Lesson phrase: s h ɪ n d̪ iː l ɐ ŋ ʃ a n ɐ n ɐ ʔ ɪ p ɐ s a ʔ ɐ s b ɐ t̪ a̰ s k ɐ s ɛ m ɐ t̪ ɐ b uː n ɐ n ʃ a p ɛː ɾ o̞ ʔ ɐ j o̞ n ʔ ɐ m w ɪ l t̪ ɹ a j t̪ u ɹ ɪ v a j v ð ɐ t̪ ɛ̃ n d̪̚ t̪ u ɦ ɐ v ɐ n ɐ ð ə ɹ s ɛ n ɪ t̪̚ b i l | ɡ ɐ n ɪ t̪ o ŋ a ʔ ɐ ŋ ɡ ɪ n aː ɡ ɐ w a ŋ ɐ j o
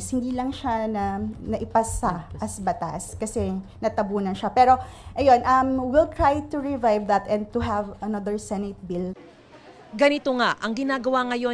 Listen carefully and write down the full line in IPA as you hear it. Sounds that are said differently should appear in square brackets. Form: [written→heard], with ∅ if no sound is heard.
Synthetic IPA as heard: s h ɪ n d̪ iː l ɐ ŋ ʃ a n ɐ n ɐ ʔ ɪ p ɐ s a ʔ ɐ s b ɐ t̪ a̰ s k ɐ s ɛ [m→n] ɐ t̪ ɐ b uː n ɐ n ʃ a p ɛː ɾ o̞ ʔ ɐ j o̞ n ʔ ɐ m w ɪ l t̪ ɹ a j t̪ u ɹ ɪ v a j v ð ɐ t̪ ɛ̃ n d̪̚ t̪ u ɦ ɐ v ɐ n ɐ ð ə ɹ s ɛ n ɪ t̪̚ b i l | ɡ ɐ n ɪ t̪ o ŋ a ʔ ɐ ŋ ɡ ɪ n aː ɡ ɐ w a ŋ ɐ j o